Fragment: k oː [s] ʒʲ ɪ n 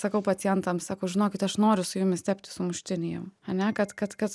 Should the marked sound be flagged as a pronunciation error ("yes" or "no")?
yes